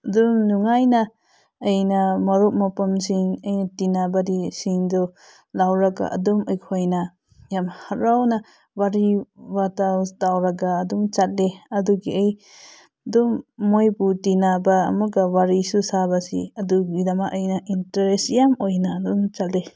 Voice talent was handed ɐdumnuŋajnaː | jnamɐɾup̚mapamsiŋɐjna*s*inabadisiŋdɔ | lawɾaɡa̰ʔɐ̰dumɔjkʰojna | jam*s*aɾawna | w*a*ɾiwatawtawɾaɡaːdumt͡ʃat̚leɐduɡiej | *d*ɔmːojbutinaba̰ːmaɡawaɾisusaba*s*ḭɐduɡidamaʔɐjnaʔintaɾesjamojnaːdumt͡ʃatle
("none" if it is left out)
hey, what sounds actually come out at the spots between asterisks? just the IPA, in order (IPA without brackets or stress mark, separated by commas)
t, h, a, d, s